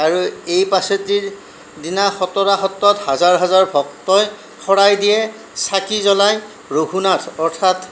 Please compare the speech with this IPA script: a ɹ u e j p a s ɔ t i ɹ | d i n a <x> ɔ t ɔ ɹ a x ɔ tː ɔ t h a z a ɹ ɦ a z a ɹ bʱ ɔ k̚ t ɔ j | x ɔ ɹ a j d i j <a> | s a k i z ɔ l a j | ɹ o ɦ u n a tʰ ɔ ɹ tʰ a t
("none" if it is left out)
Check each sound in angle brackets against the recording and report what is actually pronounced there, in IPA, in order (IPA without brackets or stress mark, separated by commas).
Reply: x, ɛ